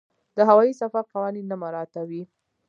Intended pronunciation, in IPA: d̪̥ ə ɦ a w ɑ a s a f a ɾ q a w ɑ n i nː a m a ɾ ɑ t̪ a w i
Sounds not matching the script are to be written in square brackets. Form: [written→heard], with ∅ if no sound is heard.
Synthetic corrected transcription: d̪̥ ə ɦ a w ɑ [a→i] s a f a ɾ q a w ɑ n i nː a m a ɾ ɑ t̪ a w i